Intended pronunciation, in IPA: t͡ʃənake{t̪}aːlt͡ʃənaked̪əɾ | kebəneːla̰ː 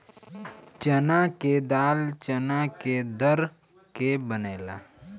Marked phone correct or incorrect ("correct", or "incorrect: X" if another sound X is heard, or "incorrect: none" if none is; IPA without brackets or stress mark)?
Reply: incorrect: d̪